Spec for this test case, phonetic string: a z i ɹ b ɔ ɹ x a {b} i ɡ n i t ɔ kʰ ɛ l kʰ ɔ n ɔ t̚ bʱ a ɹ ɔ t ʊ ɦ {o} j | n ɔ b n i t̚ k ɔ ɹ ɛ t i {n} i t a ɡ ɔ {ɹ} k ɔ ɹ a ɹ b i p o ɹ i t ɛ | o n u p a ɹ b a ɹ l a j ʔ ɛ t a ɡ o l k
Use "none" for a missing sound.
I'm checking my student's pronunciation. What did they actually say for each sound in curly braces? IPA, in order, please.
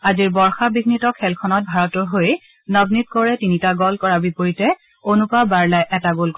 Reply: b, o, n, l

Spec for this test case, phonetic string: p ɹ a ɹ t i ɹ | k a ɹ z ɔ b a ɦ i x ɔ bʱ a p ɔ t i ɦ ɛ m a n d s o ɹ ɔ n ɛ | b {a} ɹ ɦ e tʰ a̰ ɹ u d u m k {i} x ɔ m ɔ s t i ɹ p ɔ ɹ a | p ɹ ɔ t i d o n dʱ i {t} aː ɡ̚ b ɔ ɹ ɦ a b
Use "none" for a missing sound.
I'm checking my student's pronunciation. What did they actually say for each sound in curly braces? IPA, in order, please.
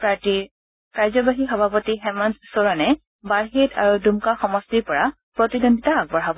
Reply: a, a, t

